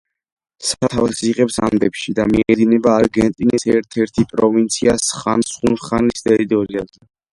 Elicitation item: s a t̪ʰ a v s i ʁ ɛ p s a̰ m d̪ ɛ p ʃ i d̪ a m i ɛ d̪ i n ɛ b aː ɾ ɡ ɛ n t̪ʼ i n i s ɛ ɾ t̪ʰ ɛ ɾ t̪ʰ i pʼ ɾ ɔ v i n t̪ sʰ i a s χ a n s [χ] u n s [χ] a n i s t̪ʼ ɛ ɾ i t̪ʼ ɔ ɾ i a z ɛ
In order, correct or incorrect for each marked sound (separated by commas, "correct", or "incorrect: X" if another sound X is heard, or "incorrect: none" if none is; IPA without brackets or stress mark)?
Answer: correct, correct